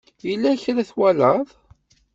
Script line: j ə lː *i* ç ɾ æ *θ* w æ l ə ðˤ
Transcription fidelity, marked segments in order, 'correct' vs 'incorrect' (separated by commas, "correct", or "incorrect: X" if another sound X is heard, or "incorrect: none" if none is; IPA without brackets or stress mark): incorrect: æ, correct